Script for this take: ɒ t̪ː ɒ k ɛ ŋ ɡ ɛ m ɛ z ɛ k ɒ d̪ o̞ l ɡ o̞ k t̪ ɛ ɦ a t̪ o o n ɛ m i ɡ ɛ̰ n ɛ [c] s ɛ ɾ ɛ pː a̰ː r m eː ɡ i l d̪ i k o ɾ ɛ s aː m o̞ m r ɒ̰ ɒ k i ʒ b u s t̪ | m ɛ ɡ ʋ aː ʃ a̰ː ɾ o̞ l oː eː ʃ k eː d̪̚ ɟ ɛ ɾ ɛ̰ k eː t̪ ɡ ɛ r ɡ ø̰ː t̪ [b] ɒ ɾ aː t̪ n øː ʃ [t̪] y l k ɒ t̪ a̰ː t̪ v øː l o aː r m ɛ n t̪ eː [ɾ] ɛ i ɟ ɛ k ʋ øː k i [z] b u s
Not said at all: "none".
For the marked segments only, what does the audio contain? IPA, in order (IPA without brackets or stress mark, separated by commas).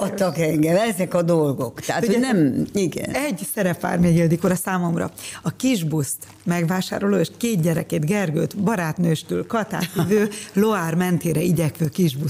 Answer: ɟ, b, t̪, ɾ, ʒ